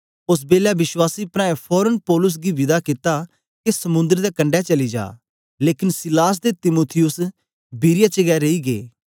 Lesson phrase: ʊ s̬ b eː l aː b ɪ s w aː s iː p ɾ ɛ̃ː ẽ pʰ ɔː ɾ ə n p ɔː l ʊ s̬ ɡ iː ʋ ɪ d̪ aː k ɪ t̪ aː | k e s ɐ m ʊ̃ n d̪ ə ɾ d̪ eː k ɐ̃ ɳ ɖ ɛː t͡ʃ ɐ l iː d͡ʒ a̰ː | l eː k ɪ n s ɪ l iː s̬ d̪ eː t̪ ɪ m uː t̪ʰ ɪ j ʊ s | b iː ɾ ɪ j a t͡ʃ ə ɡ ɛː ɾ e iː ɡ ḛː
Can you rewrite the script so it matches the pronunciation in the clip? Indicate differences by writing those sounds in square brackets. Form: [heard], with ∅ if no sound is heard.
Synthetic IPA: ʊ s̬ b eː l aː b ɪ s w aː s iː p ɾ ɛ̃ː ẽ pʰ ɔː ɾ ə n p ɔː l ʊ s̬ ɡ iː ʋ ɪ d̪ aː k ɪ t̪ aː | k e s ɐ m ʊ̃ n d̪ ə ɾ d̪ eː k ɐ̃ ɳ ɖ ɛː t͡ʃ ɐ l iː d͡ʒ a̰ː | l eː k ɪ n s ɪ l [aː] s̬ d̪ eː t̪ ɪ m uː t̪ʰ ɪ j ʊ s | b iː ɾ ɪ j a t͡ʃ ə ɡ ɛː ɾ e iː ɡ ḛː

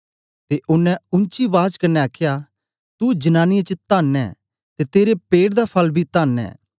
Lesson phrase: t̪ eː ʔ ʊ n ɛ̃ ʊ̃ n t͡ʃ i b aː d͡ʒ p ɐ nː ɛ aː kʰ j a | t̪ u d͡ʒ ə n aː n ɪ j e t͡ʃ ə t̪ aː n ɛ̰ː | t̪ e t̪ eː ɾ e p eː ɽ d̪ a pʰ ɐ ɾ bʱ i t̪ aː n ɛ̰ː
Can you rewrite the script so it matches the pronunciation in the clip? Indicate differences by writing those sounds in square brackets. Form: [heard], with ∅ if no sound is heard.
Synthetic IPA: t̪ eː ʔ ʊ n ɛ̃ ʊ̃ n t͡ʃ i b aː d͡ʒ [k] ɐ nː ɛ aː kʰ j a | t̪ u d͡ʒ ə n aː n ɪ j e t͡ʃ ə t̪ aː n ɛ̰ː | t̪ e t̪ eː ɾ e p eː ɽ d̪ a pʰ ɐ [l] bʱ i t̪ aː n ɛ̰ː

